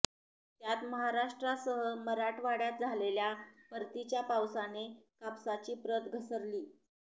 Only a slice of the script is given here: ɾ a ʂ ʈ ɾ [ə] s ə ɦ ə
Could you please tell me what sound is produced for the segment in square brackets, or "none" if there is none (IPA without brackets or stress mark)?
a